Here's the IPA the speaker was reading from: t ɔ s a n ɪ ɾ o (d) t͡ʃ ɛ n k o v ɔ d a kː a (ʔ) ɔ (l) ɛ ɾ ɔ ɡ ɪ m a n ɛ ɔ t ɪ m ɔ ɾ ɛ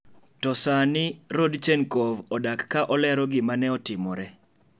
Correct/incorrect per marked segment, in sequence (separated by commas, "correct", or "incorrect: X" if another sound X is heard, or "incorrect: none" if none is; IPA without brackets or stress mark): correct, correct, correct